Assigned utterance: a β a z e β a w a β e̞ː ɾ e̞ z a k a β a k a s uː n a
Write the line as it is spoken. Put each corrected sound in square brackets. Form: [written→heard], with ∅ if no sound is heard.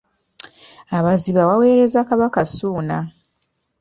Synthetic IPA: a β a z [e→i] β a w a [β→w] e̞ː ɾ e̞ z a k a β a k a s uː n a